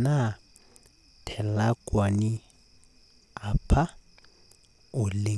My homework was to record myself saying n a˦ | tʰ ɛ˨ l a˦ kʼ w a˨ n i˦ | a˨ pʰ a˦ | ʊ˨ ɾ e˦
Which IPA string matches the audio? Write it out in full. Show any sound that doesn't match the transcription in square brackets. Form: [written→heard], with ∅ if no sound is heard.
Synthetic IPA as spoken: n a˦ | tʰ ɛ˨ l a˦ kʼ w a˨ n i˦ | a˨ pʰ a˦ | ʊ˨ [ɾ→l] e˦